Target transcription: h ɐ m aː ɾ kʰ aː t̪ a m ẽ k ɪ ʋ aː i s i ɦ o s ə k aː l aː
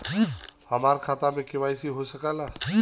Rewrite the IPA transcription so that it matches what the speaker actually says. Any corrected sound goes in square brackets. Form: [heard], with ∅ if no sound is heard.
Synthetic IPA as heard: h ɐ m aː ɾ kʰ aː t̪ a m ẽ k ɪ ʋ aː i s i ɦ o s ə k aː l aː